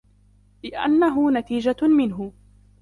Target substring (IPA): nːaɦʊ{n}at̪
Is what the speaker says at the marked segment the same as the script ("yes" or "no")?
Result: yes